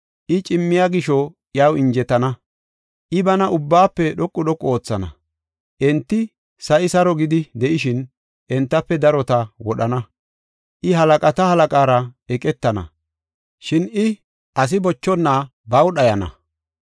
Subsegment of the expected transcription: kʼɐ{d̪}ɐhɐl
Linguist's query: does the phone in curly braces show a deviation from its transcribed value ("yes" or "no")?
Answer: yes